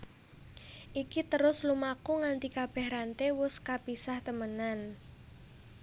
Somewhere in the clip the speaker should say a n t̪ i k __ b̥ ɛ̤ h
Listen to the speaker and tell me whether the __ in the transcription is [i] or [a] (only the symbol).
a